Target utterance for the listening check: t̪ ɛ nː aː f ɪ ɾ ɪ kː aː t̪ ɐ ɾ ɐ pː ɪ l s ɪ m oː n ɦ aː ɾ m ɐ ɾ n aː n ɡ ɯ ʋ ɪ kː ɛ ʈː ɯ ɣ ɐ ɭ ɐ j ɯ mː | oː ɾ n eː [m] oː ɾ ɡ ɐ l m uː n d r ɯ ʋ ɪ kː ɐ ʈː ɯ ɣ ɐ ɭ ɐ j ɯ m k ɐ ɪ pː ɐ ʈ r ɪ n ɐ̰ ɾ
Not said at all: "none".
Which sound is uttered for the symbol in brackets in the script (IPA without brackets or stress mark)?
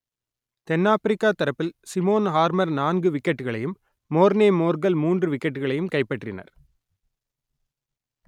m